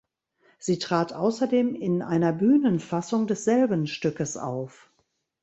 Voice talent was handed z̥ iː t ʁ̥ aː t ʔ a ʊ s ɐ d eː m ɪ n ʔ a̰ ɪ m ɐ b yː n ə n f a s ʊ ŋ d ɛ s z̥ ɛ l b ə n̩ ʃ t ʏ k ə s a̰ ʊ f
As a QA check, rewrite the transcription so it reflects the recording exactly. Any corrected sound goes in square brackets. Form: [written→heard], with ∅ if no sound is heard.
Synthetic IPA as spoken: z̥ iː t ʁ̥ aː t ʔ a ʊ s ɐ d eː m ɪ n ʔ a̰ ɪ [m→n] ɐ b yː n ə n f a s ʊ ŋ d ɛ s z̥ ɛ l b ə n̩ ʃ t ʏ k ə s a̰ ʊ f